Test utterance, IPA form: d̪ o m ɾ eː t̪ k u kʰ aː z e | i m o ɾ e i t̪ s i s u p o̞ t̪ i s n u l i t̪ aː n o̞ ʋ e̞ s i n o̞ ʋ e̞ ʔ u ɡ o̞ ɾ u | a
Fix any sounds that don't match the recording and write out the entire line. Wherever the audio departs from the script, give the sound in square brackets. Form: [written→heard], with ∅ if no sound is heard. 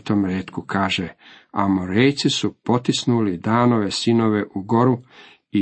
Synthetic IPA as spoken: [d̪→t̪] o m ɾ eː t̪ k u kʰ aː [z→ʒ] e | [i→a] m o ɾ e [i→j] t̪ s i s u p o̞ t̪ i s n u l i [t̪→d̪] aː n o̞ ʋ e̞ s i n o̞ ʋ e̞ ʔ u ɡ o̞ ɾ u | [a→i]